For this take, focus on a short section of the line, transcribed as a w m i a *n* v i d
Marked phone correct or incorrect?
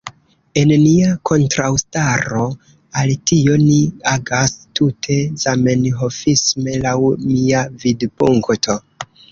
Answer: incorrect